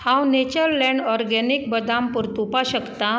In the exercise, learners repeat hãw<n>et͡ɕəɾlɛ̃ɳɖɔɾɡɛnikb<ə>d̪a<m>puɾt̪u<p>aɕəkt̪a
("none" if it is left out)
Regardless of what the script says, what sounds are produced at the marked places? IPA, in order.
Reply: n, ə, m, p

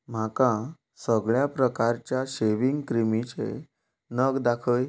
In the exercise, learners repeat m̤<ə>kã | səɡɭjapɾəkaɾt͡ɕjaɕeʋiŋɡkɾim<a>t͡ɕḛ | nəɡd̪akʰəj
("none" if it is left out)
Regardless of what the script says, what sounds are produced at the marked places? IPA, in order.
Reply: a, i

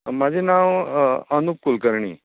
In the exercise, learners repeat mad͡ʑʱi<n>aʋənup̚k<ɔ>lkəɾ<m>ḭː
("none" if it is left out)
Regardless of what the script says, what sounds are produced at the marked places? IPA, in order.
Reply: n, u, ɳ

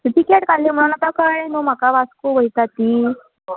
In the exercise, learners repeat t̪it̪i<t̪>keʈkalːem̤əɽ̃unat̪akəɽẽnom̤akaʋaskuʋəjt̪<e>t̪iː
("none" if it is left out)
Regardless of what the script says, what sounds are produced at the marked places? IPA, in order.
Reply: none, a

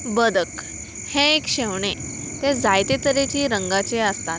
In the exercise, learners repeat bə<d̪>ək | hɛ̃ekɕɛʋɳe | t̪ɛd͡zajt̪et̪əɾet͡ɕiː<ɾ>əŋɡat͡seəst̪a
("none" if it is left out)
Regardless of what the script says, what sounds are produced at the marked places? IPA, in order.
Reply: d̪, ɾ

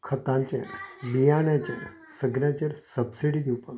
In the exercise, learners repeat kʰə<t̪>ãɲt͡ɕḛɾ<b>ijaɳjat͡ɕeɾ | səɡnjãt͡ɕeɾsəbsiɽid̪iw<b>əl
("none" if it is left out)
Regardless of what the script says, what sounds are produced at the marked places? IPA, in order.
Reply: t̪, b, p

